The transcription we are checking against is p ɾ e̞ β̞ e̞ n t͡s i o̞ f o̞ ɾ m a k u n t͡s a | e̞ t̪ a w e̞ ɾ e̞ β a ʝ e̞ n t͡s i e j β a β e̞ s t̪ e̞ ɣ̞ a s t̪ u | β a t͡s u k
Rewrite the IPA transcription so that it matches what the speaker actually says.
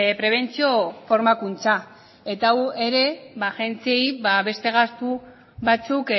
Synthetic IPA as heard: p ɾ e̞ β̞ e̞ n t͡s i o̞ f o̞ ɾ m a k u n t͡s a | e̞ t̪ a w e̞ ɾ e̞ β a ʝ e̞ n t͡s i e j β a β e̞ s t̪ e̞ ɣ̞ a s t̪ u | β a t͡s u k